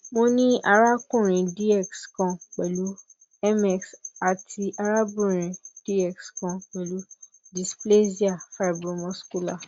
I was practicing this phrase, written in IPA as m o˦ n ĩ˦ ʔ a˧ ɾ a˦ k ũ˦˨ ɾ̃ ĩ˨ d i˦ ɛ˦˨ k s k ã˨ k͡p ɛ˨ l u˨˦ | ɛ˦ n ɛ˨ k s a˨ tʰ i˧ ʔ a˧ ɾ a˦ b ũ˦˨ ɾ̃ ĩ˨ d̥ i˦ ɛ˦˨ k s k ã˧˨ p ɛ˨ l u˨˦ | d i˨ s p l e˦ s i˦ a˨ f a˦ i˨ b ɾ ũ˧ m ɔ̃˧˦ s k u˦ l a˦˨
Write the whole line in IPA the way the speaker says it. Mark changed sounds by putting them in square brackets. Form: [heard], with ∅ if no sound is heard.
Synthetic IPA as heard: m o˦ n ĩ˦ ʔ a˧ ɾ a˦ k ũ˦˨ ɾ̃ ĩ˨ d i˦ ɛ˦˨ k s k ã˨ k͡p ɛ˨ l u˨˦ | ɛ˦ [m] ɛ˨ k s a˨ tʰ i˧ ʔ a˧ ɾ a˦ b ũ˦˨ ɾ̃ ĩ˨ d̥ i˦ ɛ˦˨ k s k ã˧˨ [k͡p] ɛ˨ l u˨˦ | d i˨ s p l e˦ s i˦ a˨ f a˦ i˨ b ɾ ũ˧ m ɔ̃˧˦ s k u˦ l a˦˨